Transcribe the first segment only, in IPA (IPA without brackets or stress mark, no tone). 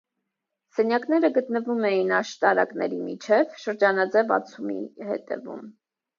s